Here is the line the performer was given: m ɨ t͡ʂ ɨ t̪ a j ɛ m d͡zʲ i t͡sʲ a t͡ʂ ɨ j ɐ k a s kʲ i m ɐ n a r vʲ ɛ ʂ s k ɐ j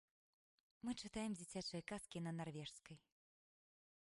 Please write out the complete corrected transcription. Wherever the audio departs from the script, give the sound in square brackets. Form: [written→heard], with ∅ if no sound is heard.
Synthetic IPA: m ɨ t͡ʂ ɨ t̪ a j ɛ m d͡zʲ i t͡sʲ a t͡ʂ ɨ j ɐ k a s kʲ i [m→n] ɐ n a r vʲ ɛ ʂ s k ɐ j